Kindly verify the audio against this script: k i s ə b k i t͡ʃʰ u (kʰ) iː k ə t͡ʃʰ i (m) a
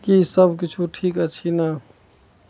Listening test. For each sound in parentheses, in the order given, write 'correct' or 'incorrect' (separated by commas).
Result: incorrect, incorrect